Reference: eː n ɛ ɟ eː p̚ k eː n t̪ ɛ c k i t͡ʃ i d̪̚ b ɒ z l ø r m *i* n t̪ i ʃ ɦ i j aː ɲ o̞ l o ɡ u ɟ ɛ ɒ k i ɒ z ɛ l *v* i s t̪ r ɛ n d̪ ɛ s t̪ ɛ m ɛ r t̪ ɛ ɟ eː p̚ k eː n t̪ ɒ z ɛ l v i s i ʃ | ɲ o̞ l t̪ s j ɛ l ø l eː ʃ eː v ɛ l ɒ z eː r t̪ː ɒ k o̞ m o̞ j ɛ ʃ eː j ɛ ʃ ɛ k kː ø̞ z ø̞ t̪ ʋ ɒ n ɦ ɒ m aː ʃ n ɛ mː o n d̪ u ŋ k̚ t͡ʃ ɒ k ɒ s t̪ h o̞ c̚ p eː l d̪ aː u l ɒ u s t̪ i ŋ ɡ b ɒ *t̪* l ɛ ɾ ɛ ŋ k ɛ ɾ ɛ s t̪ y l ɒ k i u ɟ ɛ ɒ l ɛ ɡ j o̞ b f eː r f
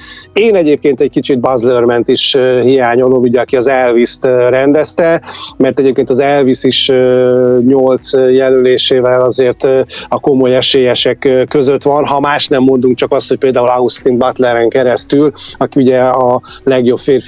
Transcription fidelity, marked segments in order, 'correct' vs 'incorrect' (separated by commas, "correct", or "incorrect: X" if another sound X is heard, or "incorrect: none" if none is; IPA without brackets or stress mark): incorrect: ɛ, correct, correct